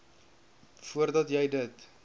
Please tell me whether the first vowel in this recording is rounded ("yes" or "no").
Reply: yes